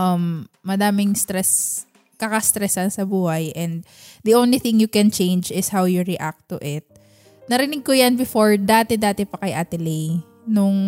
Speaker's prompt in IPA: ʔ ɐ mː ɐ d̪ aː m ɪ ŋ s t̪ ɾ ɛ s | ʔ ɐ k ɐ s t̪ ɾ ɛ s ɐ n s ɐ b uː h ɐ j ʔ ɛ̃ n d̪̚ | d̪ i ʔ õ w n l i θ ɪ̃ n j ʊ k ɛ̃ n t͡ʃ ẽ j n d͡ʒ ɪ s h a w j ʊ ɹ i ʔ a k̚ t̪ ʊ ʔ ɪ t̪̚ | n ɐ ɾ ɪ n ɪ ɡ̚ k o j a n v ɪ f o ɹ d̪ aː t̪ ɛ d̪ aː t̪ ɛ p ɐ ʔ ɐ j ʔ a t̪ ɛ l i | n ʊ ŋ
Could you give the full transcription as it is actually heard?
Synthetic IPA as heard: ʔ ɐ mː ɐ d̪ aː m ɪ ŋ s t̪ ɾ ɛ s | k ɐ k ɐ s t̪ ɾ ɛ s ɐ n s ɐ b uː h ɐ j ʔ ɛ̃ n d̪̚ | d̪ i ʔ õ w n l i θ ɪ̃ ŋ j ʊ k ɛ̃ n t͡ʃ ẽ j n d͡ʒ ɪ s h a w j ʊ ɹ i ʔ a k̚ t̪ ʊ ʔ ɪ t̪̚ | n ɐ ɾ ɪ n ɪ ɡ̚ k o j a n b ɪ f o ɹ d̪ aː t̪ ɛ d̪ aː t̪ ɛ p ɐ k ɐ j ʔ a t̪ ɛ l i | n ʊ ŋ